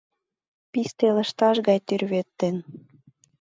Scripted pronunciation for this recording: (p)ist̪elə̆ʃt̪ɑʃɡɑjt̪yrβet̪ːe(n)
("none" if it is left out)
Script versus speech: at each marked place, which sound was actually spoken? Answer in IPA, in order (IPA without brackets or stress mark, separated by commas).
p, n